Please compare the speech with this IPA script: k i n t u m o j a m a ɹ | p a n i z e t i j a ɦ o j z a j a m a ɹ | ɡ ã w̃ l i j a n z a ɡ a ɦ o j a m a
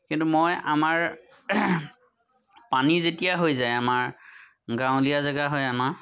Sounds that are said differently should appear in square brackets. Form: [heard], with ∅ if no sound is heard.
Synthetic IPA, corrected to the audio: k i n t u m o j a m a ɹ | p a n i z e t i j a ɦ o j z a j a m a ɹ | ɡ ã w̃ l i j a [∅] z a ɡ a ɦ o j a m a

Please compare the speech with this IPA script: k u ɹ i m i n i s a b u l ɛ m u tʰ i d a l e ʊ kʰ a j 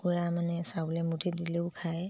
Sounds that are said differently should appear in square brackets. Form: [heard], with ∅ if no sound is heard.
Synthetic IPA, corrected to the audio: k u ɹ [a] m [a] n [ɛ] s a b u l ɛ m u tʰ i d [i] l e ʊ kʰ a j

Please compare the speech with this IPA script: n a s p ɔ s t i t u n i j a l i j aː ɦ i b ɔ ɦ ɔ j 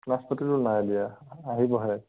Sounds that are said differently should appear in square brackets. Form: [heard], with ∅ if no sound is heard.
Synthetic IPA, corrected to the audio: n a s p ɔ [∅] t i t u n [a] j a l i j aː ɦ i b ɔ ɦ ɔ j

